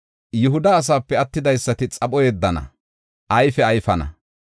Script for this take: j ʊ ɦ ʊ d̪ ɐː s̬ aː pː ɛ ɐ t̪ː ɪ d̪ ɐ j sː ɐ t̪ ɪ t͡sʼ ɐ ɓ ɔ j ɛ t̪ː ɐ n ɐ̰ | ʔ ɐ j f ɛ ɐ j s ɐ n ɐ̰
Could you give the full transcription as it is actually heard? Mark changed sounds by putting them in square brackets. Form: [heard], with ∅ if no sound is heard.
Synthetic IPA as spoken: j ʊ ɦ ʊ d̪ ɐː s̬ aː pː ɛ ɐ t̪ː ɪ d̪ ɐ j sː ɐ t̪ ɪ t͡sʼ ɐ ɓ ɔ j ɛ [d̪ː] ɐ n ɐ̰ | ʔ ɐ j f ɛ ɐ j [f] ɐ n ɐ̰